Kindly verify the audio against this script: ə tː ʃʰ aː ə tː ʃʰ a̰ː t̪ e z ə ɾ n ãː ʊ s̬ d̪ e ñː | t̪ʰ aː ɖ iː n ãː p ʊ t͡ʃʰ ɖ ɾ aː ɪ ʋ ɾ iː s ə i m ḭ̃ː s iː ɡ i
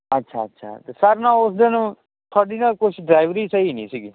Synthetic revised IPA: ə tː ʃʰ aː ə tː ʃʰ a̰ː t̪ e s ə ɾ n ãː ʊ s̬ d̪ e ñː | t̪ʰ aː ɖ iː n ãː k ʊ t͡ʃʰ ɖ ɾ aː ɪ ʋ ɾ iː s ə i n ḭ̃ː s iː ɡ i